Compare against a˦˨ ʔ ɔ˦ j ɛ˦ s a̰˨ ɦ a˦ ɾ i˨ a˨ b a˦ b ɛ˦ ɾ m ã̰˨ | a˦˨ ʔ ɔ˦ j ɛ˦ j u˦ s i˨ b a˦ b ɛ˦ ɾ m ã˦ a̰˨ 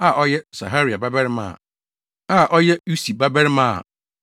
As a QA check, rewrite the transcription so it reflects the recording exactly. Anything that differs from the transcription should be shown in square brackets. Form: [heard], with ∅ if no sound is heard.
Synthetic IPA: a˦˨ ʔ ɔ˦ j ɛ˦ s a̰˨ ɦ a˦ ɾ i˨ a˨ b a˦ b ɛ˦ ɾ m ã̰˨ | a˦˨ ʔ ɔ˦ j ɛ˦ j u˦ s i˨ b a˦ b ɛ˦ ɾ m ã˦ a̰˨